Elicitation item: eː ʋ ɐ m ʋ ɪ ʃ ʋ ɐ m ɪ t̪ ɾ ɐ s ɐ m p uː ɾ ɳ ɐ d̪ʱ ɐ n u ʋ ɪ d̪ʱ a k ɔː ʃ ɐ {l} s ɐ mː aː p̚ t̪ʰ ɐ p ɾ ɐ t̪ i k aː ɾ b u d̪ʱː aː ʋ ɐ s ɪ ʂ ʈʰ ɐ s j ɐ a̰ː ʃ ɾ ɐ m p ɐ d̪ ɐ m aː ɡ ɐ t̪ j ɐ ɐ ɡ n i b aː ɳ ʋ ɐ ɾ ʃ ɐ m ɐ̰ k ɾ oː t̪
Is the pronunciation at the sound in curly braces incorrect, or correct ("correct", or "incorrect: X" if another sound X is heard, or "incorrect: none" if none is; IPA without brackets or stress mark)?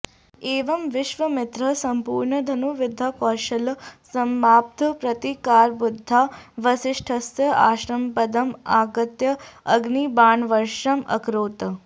correct